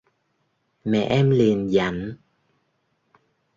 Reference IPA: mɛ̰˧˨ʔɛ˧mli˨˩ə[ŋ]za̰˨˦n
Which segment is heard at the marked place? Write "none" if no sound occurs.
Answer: n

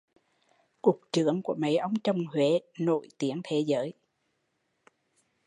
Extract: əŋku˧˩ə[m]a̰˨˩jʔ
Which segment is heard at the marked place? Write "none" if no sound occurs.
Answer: m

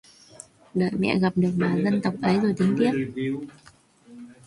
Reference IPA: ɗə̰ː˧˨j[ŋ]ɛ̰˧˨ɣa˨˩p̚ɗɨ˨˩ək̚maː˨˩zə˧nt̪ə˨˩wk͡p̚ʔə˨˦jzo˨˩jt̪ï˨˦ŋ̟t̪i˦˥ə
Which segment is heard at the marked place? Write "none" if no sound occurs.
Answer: m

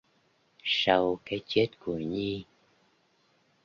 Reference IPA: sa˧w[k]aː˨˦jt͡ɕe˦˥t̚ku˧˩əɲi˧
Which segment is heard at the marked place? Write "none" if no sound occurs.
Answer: k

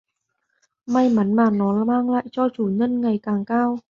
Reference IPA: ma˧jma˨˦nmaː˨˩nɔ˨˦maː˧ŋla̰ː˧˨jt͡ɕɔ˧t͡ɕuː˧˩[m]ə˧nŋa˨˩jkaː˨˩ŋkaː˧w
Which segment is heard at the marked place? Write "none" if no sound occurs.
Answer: ɲ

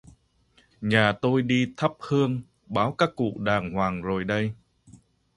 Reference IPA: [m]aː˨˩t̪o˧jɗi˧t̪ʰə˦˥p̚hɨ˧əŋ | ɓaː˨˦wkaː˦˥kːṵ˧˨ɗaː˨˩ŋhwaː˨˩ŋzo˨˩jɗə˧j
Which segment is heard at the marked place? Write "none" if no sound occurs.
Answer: ɲ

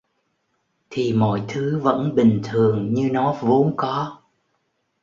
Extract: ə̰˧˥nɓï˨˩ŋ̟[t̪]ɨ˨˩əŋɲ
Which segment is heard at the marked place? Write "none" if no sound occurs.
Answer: t̪ʰ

